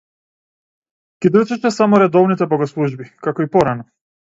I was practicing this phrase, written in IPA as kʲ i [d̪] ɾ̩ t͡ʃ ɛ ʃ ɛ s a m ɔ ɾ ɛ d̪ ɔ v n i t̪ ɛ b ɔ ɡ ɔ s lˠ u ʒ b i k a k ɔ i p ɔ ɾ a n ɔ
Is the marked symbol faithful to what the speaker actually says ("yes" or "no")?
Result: yes